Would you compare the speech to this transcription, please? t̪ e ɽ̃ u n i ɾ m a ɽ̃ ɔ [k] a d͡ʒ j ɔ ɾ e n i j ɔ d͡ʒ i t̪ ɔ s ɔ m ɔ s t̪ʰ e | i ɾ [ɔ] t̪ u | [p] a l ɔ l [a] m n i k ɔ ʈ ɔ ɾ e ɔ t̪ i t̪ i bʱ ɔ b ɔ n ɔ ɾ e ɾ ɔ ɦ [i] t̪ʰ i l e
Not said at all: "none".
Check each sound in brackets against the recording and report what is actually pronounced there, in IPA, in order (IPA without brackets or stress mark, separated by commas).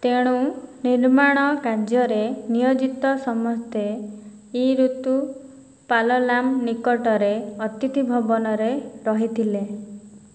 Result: k, u, p, a, i